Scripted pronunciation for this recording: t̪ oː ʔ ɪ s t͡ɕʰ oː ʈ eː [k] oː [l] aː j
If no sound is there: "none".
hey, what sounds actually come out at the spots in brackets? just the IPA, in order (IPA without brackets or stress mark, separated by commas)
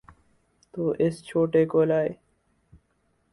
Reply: k, l